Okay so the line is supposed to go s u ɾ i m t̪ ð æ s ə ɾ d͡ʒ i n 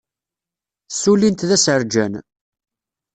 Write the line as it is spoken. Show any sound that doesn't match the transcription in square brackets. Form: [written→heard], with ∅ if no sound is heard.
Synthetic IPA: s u [ɾ→l] i [m→n] t̪ ð æ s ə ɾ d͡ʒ [i→æ] n